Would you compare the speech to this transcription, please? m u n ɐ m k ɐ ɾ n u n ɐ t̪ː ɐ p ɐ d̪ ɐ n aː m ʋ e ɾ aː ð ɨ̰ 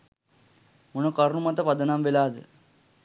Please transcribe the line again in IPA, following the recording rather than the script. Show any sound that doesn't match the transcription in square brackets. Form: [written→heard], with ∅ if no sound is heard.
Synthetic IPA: m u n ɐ [m→∅] k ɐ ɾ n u [n→m] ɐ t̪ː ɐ p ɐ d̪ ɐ n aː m ʋ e [ɾ→l] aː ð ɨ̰